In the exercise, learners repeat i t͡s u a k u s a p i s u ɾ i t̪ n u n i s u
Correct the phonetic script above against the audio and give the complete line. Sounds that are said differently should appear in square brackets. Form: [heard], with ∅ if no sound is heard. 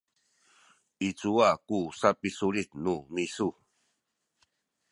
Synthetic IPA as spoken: i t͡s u a k u s a p i s u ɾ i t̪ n u [m] i s u